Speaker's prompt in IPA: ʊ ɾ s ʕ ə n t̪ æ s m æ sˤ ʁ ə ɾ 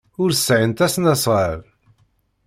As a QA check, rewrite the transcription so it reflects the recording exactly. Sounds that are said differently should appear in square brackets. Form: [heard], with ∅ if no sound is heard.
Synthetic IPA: ʊ ɾ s ʕ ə n t̪ æ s [n] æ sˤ ʁ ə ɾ

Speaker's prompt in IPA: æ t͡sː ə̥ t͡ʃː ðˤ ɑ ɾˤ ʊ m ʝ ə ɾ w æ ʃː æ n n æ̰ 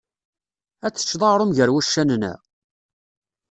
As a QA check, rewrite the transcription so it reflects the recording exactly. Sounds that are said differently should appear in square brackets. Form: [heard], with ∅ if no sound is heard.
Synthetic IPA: æ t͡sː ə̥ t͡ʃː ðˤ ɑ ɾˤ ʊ m ʝ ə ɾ w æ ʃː æ n n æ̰

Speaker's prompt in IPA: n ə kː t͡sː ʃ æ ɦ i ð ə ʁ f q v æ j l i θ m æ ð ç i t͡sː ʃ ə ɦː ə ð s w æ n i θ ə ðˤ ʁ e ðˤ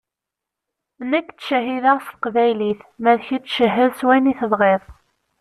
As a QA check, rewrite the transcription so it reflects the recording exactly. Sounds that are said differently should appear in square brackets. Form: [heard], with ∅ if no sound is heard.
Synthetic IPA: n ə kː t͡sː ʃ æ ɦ i ð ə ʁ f q v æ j l i θ m æ ð ç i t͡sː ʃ ə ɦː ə ð s w æ n i θ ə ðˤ ʁ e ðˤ

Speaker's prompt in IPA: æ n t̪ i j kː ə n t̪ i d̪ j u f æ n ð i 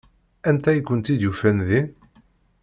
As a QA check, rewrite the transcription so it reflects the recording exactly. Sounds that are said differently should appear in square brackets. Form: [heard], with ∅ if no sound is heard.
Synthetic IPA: æ n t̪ [æ] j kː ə n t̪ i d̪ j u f æ n ð i

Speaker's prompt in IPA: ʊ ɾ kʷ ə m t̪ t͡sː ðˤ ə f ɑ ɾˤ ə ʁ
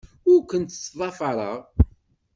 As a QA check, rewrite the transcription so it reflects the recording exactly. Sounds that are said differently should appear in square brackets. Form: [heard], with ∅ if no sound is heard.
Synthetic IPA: ʊ ɾ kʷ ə [n] t̪ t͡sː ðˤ [ɑ] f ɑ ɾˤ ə ʁ

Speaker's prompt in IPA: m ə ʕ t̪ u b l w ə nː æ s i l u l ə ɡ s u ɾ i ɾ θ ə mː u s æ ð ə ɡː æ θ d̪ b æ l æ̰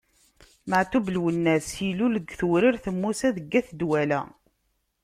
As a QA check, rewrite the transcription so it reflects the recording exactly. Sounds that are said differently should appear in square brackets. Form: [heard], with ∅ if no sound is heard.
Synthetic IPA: m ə ʕ t̪ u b l w ə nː æ s i l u l ə ɡ [θ] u ɾ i ɾ θ ə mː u s æ ð ə ɡː æ θ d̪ [w] æ l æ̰

